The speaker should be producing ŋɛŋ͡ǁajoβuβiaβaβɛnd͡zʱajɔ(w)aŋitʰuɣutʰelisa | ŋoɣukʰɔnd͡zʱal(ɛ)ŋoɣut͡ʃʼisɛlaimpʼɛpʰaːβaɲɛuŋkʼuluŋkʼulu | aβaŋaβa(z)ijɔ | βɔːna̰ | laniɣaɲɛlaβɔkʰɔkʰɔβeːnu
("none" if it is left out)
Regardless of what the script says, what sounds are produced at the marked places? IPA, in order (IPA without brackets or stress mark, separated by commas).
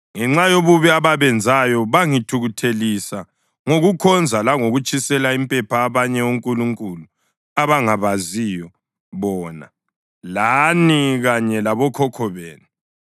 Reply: β, a, z